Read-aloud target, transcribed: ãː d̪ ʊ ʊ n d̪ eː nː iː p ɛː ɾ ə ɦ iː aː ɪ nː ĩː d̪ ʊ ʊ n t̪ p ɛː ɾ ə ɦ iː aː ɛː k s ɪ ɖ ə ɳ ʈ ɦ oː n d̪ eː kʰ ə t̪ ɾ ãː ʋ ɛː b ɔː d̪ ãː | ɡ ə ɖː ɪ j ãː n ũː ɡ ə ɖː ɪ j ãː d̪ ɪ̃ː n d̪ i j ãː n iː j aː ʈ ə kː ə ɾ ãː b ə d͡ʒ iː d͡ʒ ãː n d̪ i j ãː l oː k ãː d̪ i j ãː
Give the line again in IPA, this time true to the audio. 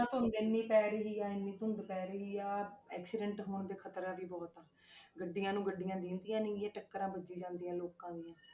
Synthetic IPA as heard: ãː t̪ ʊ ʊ n d̪ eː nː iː p ɛː ɾ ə ɦ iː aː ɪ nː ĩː t̪ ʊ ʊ n d̪ p ɛː ɾ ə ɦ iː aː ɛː k s ɪ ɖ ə ɳ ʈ ɦ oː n d̪ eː kʰ ə t̪ ɾ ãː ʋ iː b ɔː t̪ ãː | ɡ ə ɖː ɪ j ãː n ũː ɡ ə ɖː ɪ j ãː d̪ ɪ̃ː n d̪ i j ãː n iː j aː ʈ ə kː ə ɾ ãː b ə d͡ʒ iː d͡ʒ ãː n d̪ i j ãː l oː k ãː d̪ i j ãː

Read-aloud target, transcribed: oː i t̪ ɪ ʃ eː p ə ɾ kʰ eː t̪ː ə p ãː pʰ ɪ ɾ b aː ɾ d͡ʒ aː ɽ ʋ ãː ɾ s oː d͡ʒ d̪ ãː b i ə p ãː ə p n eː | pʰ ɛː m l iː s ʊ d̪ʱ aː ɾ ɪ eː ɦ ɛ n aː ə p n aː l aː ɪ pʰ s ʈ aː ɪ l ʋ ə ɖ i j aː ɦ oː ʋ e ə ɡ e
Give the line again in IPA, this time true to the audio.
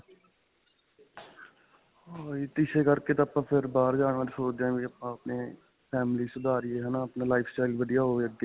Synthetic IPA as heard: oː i t̪ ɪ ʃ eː k ə ɾ k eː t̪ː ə p ãː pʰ ɪ ɾ b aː ɾ d͡ʒ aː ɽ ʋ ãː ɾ s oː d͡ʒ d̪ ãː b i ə p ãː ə p n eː | pʰ ɛː m l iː s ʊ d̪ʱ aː ɾ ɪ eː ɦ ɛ n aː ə p n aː l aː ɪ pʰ s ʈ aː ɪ l ʋ ə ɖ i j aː ɦ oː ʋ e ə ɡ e

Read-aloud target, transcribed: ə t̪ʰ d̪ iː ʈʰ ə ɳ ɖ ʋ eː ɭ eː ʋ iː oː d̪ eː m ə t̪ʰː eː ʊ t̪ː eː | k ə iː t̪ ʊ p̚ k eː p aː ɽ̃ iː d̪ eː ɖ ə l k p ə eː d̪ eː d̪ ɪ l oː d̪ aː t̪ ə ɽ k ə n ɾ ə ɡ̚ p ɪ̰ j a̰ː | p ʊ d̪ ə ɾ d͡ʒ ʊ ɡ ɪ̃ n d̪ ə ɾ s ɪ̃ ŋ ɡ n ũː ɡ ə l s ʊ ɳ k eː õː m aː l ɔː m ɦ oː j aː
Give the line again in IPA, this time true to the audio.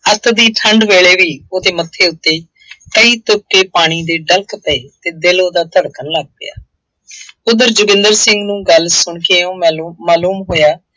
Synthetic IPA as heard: ə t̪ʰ d̪ iː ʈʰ ə ɳ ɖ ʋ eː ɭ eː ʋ iː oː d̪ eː m ə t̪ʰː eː ʊ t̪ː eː | k ə iː t̪ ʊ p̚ k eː p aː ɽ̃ iː d̪ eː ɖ ə l k p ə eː t̪ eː d̪ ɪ l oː d̪ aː t̪ ə ɽ k ə n l ə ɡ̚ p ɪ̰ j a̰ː | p ʊ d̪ ə ɾ d͡ʒ ʊ ɡ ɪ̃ n d̪ ə ɾ s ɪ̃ ŋ ɡ n ũː ɡ ə l s ʊ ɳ k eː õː m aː l uː m ɦ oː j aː

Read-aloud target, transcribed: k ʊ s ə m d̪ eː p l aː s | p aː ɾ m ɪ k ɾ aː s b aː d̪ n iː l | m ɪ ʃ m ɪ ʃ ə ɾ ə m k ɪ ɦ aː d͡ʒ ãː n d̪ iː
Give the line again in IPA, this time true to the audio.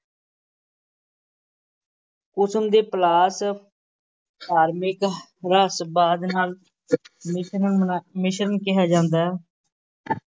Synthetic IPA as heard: k ʊ s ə m d̪ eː p l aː s | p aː ɾ m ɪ k ɾ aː s b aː d̪ n aː l | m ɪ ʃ m ɪ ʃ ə ɾ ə n k ɪ ɦ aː d͡ʒ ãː n d̪ aː

